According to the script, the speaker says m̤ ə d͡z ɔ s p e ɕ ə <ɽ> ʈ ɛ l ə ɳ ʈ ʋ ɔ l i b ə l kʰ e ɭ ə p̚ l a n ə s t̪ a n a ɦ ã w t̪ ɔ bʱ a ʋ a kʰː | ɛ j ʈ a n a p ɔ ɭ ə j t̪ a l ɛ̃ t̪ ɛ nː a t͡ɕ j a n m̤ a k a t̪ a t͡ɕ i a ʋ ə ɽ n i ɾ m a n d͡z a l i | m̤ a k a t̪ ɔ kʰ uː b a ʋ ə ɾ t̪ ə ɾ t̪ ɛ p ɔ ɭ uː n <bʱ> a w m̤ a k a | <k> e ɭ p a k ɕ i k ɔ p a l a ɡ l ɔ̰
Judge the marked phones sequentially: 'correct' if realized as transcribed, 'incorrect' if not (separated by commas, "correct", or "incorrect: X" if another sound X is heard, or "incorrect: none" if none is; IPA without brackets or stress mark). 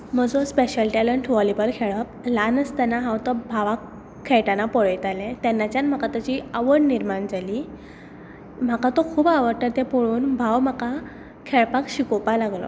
incorrect: l, correct, incorrect: kʰ